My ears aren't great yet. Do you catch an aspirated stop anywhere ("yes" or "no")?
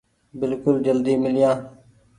no